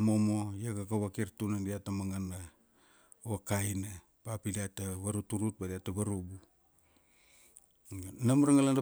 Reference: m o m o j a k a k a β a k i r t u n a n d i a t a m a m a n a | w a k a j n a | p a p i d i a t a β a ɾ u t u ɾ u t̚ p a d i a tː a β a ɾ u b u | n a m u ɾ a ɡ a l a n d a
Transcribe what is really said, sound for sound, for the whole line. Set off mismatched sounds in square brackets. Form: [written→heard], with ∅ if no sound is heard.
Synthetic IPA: m o m o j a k a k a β a k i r t u n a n d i a t a m a [m→ŋ] a n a | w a k a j n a | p a p i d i a t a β a ɾ u t u ɾ u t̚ [p→b] a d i a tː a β a ɾ u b u | n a m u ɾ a [ɡ→ŋ] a l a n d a